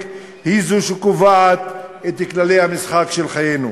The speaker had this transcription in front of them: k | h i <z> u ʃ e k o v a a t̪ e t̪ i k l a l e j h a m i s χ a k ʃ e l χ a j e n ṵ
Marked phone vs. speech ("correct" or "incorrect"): correct